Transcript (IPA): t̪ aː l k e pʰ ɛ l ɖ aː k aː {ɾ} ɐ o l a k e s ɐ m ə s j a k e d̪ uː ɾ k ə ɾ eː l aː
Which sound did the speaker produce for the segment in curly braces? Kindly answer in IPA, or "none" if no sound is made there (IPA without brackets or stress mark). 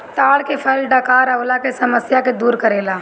ɾ